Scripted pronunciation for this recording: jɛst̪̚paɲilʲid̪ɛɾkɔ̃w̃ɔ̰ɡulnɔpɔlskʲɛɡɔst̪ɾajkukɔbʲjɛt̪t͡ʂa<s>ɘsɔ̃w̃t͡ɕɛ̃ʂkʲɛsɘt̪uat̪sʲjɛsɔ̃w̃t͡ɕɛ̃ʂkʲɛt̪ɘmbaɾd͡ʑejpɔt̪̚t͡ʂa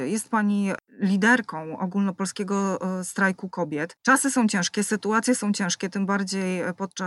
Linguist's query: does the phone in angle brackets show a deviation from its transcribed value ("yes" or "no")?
no